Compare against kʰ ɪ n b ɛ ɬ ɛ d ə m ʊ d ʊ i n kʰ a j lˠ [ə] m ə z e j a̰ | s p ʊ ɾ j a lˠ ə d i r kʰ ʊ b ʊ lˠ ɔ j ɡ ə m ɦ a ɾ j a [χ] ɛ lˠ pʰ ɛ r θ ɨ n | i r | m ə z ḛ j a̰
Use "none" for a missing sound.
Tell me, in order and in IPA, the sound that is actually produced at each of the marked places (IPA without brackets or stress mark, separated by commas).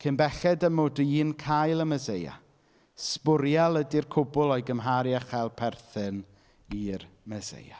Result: ə, χ